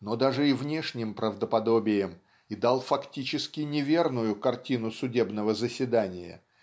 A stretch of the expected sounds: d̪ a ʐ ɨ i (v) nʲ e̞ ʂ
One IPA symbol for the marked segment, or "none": v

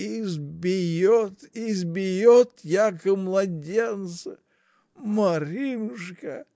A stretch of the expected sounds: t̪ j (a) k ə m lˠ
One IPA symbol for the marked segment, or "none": a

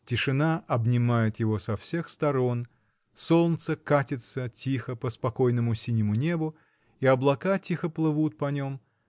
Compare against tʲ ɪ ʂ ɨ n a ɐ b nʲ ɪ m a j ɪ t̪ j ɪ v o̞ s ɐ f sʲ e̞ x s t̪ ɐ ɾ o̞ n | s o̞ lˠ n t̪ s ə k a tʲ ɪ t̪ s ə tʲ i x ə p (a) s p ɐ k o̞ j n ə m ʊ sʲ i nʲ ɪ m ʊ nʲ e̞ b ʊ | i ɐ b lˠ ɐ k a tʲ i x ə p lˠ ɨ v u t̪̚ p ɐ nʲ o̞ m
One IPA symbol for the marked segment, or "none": ə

